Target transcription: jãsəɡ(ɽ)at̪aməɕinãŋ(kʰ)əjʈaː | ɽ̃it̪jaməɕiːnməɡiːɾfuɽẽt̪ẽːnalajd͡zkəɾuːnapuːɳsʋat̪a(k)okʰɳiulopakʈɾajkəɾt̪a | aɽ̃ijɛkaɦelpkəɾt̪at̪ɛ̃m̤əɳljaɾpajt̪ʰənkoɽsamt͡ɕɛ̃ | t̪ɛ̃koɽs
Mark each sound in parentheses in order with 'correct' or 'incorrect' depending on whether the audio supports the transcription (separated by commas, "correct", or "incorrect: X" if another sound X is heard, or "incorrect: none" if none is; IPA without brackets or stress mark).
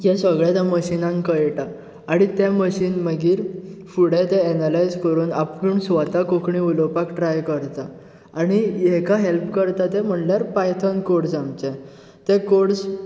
incorrect: ɭ, incorrect: k, correct